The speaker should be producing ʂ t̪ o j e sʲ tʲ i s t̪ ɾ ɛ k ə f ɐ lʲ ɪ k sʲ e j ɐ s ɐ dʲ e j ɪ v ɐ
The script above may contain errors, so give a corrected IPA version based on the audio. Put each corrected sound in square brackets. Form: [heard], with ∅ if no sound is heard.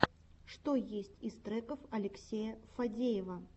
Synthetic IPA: ʂ t̪ o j e sʲ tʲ i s t̪ ɾ ɛ k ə f ɐ lʲ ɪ k sʲ e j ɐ [f] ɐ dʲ e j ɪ v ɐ